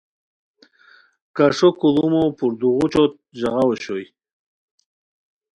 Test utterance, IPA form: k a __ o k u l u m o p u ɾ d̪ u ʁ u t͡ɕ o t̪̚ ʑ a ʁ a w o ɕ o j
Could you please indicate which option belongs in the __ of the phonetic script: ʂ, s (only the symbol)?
ʂ